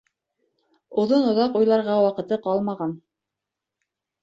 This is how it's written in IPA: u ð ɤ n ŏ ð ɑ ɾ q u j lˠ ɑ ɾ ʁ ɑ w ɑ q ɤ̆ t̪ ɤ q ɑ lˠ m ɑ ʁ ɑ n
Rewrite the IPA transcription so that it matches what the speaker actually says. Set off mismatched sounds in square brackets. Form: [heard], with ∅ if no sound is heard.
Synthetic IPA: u ð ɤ n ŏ ð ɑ [∅] q u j lˠ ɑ ɾ ʁ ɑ w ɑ q ɤ̆ t̪ ɤ q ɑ lˠ m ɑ ʁ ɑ n